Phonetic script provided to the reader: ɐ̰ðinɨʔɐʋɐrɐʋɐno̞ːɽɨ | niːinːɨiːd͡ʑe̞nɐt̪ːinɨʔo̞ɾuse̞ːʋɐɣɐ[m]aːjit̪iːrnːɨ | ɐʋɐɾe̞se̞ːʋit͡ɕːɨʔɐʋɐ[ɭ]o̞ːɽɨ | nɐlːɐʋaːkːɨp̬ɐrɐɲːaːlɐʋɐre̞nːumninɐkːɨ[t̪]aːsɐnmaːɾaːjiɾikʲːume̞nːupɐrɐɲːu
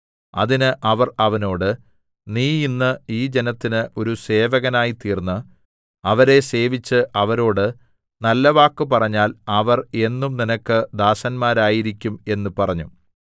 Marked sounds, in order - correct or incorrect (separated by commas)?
incorrect, incorrect, incorrect